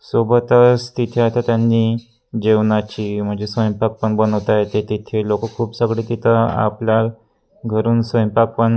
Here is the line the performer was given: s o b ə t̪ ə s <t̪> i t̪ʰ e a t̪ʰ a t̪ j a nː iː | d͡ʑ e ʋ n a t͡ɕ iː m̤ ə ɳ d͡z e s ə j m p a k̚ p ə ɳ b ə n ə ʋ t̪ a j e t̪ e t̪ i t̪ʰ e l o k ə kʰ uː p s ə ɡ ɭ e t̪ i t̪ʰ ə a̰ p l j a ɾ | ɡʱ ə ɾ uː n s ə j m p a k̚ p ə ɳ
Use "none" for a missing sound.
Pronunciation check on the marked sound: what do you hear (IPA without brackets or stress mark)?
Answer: t̪